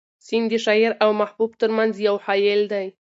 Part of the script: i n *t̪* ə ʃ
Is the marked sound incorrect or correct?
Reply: incorrect